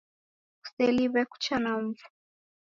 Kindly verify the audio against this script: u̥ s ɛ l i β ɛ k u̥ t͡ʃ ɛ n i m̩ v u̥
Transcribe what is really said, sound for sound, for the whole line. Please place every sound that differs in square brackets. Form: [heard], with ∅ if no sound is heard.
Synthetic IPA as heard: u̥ s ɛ l i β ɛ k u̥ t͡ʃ [a] n [a] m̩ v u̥